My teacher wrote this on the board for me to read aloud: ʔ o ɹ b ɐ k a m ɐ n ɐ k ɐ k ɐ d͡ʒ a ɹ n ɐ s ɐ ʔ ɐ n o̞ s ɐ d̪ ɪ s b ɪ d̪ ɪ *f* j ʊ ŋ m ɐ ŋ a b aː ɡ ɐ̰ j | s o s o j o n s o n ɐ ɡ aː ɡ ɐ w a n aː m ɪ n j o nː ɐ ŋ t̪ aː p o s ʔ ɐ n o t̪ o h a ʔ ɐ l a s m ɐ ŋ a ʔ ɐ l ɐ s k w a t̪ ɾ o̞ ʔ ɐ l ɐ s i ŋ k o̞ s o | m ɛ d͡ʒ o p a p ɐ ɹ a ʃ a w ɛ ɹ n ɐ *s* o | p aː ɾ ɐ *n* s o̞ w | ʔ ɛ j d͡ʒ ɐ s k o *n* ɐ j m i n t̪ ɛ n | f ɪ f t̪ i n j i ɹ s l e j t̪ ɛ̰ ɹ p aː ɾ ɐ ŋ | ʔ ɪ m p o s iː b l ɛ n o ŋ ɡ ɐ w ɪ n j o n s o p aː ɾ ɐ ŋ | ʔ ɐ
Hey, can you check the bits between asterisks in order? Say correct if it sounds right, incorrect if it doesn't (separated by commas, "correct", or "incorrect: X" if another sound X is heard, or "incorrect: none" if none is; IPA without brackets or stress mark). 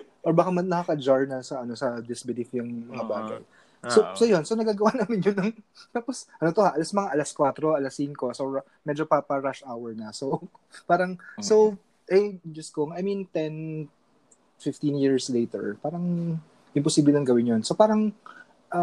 correct, correct, incorrect: ŋ, incorrect: ŋ